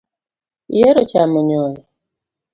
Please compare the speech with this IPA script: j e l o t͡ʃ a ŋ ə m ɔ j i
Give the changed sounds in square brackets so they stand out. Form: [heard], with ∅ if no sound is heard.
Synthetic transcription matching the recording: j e [ɾ] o t͡ʃ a [m] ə [ɲ] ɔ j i